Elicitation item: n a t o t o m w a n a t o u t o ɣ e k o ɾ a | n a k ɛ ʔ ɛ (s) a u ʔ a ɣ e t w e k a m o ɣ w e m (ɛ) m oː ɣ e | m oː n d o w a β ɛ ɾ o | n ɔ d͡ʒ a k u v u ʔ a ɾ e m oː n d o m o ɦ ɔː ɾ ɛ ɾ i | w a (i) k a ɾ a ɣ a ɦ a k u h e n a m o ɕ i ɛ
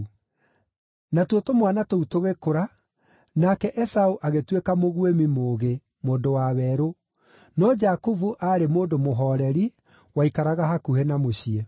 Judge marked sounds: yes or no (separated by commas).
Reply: yes, no, yes